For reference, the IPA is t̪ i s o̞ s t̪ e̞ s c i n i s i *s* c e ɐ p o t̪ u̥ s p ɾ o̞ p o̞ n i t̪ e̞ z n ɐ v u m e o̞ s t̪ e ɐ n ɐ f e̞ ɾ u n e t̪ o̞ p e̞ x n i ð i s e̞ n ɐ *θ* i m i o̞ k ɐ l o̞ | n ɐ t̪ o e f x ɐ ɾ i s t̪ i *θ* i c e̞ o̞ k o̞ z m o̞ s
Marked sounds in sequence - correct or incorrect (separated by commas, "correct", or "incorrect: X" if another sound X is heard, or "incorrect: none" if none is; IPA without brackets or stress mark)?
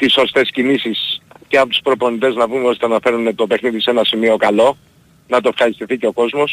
correct, incorrect: s, correct